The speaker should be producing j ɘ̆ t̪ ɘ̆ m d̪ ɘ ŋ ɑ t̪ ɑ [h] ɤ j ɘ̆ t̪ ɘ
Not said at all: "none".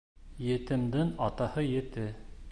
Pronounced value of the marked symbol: h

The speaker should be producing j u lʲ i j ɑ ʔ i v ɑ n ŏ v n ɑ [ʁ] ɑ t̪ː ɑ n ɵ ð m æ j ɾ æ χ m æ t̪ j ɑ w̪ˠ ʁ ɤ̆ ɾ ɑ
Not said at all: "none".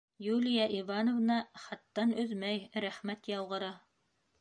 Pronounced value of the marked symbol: χ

